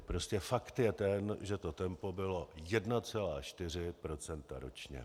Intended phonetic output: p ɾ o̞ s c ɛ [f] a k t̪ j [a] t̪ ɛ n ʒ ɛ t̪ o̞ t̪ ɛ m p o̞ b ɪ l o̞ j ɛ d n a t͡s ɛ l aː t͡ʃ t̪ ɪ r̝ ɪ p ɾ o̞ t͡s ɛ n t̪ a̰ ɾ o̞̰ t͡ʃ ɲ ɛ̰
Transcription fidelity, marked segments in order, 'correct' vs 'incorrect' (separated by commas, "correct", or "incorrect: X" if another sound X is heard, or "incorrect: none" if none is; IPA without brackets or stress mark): correct, incorrect: ɛ